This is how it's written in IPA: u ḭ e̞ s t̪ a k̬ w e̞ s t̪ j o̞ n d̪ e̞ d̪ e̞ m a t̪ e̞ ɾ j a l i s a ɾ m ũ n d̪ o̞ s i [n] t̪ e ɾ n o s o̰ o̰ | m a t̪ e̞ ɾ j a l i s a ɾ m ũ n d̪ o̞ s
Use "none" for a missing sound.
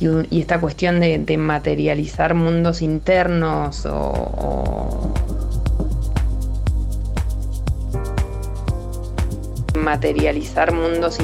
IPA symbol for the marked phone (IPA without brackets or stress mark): n